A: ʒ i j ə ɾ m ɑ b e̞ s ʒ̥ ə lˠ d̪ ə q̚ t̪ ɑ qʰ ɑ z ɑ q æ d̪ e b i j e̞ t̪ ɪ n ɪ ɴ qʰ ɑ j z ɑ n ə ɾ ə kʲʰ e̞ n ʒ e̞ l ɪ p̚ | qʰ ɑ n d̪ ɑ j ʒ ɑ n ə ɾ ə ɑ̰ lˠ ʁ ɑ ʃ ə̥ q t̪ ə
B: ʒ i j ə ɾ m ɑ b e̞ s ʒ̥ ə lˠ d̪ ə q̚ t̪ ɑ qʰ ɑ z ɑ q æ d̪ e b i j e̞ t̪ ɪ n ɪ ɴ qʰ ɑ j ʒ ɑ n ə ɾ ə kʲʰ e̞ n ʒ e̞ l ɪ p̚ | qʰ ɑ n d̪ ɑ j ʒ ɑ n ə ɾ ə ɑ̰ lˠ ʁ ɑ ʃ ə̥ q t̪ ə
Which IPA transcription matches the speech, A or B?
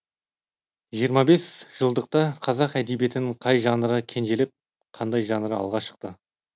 B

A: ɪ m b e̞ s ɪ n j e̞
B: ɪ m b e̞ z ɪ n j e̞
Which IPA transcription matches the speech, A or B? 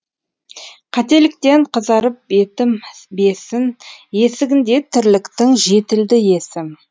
A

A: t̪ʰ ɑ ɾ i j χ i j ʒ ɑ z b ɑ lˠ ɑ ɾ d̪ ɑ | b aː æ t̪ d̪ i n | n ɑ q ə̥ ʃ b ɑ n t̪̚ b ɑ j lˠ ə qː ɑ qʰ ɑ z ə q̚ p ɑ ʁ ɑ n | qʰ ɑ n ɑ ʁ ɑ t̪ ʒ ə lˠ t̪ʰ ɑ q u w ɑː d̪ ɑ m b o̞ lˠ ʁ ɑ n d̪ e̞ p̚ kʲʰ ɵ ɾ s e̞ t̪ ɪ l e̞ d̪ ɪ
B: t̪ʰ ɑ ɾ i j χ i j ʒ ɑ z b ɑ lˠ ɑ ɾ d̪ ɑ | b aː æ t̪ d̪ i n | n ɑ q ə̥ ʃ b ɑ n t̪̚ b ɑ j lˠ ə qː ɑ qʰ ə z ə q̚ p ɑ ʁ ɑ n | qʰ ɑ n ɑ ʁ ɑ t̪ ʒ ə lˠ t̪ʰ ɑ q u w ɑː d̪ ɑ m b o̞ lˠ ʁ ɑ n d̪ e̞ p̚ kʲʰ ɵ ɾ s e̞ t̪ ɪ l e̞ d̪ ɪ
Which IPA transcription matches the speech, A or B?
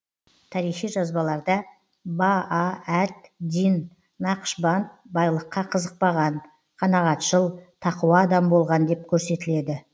B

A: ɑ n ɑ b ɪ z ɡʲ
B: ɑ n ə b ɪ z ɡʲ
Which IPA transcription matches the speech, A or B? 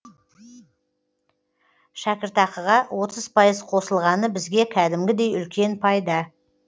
B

